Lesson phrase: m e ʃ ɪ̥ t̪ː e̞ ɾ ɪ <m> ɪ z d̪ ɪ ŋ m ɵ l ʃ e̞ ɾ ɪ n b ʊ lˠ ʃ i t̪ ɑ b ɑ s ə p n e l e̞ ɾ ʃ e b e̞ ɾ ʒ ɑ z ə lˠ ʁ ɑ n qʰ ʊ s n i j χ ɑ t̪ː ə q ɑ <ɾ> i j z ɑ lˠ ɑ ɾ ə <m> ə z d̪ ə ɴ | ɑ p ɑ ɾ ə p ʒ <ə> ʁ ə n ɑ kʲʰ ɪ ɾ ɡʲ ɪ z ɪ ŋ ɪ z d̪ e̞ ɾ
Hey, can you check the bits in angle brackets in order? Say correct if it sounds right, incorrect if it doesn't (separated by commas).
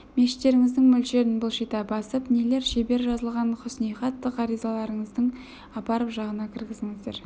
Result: incorrect, correct, incorrect, incorrect